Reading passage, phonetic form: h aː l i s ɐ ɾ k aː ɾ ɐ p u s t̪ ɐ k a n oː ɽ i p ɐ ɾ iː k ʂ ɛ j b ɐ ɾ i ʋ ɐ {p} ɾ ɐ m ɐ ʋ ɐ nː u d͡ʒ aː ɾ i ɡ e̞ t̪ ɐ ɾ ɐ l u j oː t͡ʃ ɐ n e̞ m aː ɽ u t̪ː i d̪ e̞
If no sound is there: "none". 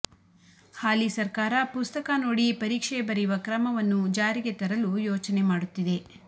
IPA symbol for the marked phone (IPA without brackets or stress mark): k